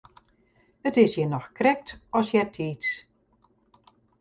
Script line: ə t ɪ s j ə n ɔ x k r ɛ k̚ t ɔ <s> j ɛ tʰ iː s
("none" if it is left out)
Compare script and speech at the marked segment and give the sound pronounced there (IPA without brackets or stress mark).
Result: s